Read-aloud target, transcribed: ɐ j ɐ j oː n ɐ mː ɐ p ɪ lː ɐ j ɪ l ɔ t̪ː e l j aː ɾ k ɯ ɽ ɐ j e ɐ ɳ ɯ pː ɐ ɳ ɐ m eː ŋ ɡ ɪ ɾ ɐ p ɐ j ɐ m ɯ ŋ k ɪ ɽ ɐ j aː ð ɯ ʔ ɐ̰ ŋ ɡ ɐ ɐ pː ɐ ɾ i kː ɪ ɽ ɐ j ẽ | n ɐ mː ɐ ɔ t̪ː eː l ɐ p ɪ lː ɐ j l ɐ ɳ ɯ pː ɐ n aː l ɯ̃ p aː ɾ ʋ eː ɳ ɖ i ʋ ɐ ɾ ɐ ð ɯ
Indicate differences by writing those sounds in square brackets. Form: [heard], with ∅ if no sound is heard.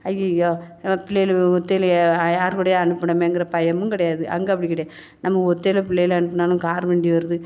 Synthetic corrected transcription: ɐ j ɐ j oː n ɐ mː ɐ p ɪ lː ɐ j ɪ l ɔ t̪ː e l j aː ɾ k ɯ ɽ ɐ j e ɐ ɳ ɯ pː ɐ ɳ ɐ m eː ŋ ɡ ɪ ɾ ɐ p ɐ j ɐ m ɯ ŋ k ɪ ɽ ɐ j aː ð ɯ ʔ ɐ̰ ŋ ɡ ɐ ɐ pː ɐ [ɽ] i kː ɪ ɽ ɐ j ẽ | n ɐ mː ɐ ɔ t̪ː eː l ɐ p ɪ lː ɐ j l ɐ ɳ ɯ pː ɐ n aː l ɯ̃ [k] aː ɾ ʋ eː ɳ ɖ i ʋ ɐ ɾ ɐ ð ɯ

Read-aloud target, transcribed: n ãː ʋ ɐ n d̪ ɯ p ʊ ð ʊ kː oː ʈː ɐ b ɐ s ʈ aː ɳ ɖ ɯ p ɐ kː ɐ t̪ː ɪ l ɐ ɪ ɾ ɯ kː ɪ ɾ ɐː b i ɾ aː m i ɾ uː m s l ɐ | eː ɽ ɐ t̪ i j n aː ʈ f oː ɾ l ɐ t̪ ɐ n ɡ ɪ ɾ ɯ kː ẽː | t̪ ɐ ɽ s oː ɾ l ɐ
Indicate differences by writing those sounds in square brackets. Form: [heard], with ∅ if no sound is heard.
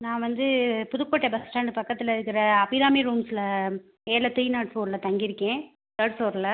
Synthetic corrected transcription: n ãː ʋ ɐ n d̪ ɯ p ʊ ð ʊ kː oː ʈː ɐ b ɐ s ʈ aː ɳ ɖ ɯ p ɐ kː ɐ t̪ː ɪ l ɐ ɪ ɾ ɯ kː ɪ ɾ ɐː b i ɾ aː m i ɾ uː m s l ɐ | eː [l] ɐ t̪ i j n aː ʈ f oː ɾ l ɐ t̪ ɐ [ŋ] ɡ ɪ ɾ ɯ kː ẽː | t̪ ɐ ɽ s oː ɾ l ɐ

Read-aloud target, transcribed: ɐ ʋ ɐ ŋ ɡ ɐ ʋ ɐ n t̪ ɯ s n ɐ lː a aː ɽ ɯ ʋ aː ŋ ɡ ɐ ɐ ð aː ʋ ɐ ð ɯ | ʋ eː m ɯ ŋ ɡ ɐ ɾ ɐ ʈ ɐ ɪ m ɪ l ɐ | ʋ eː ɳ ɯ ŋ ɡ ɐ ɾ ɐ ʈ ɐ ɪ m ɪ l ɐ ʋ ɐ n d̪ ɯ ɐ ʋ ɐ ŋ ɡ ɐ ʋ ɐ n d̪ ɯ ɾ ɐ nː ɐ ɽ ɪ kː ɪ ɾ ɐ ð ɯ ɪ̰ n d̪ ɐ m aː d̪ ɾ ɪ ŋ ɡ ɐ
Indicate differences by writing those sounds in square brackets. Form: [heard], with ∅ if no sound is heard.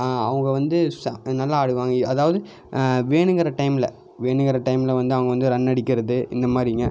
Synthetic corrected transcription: ɐ ʋ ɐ ŋ ɡ ɐ ʋ ɐ n [d̪] ɯ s n ɐ lː a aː ɽ ɯ ʋ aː ŋ ɡ ɐ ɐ ð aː ʋ ɐ ð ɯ | ʋ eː [ɳ] ɯ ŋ ɡ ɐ ɾ ɐ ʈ ɐ ɪ m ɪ l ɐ | ʋ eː ɳ ɯ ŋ ɡ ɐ ɾ ɐ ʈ ɐ ɪ m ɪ l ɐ ʋ ɐ n d̪ ɯ ɐ ʋ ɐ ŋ ɡ ɐ ʋ ɐ n d̪ ɯ ɾ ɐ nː ɐ ɽ ɪ kː ɪ ɾ ɐ ð ɯ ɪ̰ n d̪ ɐ m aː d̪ ɾ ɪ ŋ ɡ ɐ

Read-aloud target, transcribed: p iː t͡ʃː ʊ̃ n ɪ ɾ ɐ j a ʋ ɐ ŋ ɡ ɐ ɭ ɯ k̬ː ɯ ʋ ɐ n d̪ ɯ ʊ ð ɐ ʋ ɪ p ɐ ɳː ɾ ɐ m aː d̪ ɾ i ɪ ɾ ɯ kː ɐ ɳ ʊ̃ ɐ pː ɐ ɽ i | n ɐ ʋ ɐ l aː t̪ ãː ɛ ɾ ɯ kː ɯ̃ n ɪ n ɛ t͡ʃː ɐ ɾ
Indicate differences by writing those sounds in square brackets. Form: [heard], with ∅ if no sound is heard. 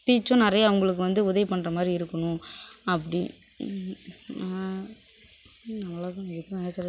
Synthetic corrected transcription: p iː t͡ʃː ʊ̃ n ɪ ɾ ɐ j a ʋ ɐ ŋ ɡ ɐ ɭ ɯ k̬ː ɯ ʋ ɐ n d̪ ɯ ʊ ð ɐ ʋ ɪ p ɐ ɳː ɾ ɐ m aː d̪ ɾ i ɪ ɾ ɯ kː ɐ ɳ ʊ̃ ɐ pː ɐ ɽ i | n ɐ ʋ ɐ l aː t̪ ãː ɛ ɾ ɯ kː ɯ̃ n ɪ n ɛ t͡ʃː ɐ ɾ

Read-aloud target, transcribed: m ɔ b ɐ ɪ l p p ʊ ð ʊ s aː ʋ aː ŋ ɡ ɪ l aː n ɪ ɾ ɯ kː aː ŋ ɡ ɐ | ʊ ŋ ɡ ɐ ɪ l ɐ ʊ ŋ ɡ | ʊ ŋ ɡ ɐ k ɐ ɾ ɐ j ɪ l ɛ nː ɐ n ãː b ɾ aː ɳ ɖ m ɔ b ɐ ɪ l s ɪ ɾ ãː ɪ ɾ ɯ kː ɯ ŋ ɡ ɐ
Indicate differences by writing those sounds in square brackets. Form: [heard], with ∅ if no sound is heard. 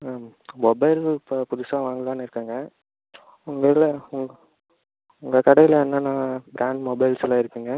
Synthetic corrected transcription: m ɔ b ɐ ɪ l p p ʊ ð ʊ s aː ʋ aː ŋ ɡ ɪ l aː n ɪ ɾ ɯ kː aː ŋ ɡ ɐ | ʊ ŋ ɡ ɐ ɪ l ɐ ʊ ŋ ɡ | ʊ ŋ ɡ ɐ k ɐ [ɽ] ɐ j ɪ l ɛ nː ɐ n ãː b ɾ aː ɳ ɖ m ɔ b ɐ ɪ l s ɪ [l] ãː ɪ ɾ ɯ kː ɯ ŋ ɡ ɐ

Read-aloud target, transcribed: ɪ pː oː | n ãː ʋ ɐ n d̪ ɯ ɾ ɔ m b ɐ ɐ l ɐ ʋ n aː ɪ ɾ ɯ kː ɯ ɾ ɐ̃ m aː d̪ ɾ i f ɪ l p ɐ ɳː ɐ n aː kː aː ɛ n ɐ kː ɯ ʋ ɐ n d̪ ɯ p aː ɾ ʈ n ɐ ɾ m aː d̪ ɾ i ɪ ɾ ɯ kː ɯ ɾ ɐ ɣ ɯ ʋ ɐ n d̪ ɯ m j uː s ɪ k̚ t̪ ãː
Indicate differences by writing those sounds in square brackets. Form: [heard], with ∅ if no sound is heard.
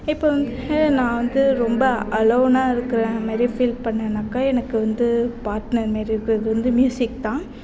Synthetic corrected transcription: ɪ pː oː | n ãː ʋ ɐ n d̪ ɯ ɾ ɔ m b ɐ ɐ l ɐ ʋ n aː ɪ ɾ ɯ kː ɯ ɾ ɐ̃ m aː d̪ ɾ i f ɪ l p ɐ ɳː ɐ n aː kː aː ɛ n ɐ kː ɯ ʋ ɐ n d̪ ɯ p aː ɾ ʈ n ɐ ɾ m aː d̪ ɾ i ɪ ɾ ɯ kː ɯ ɾ ɐ [ð] ɯ ʋ ɐ n d̪ ɯ m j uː s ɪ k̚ t̪ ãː

